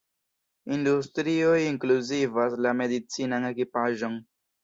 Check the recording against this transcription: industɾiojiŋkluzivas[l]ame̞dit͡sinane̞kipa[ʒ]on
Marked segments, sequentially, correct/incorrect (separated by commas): correct, correct